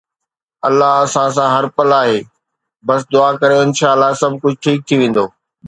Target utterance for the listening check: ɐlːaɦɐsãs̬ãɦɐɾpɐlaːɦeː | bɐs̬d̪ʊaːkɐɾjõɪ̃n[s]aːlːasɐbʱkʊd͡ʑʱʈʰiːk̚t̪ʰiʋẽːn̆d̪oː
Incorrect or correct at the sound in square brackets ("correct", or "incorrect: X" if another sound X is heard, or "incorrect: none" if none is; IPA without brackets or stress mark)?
incorrect: ʃ